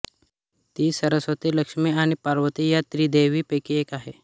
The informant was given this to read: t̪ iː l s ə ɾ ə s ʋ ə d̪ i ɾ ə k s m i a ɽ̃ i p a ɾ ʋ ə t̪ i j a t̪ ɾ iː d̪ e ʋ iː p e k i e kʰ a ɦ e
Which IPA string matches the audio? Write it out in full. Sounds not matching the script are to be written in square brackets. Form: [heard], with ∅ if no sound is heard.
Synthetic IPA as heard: t̪ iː [∅] s ə ɾ ə s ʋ ə [t̪] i [l] ə k [ʂ] m i a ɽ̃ i p a ɾ ʋ ə t̪ i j a t̪ ɾ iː d̪ e ʋ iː p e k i e [k] a ɦ e